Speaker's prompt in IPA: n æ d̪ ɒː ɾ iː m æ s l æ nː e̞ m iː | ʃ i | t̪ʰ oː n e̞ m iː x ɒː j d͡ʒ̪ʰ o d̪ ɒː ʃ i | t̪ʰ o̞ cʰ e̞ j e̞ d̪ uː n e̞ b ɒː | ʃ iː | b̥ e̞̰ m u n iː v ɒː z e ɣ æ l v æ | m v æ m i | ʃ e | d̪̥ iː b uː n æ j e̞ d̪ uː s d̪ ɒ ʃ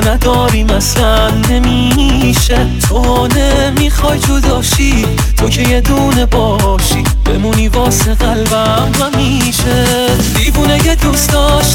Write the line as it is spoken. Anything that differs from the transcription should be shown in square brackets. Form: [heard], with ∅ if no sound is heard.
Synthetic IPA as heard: n æ d̪ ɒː ɾ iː m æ s l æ nː e̞ m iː | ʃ [e] | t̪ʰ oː n e̞ m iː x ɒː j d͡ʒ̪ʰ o d̪ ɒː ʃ i | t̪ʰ o̞ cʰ e̞ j e̞ d̪ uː n e̞ b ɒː | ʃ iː | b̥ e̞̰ m u n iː v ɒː [s] e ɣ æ l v æ | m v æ m i | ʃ e | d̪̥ iː b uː n [e] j e̞ d̪ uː s d̪ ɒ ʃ